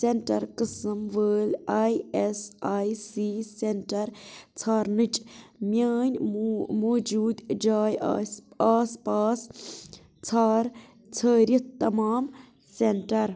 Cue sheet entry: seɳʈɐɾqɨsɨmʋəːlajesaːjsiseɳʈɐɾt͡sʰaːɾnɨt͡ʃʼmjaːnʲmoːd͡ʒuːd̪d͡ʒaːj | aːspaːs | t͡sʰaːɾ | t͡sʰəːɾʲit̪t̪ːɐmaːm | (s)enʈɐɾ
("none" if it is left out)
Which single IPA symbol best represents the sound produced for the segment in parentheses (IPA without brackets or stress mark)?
s